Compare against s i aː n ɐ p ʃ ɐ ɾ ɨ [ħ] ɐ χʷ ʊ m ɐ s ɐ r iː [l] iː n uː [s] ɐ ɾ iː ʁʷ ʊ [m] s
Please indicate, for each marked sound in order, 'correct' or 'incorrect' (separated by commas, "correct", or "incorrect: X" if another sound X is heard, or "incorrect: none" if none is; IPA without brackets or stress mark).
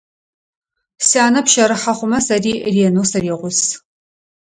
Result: correct, incorrect: r, correct, incorrect: none